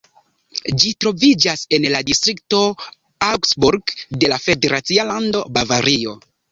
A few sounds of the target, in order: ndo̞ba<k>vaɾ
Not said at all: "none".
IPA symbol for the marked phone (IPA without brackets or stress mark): none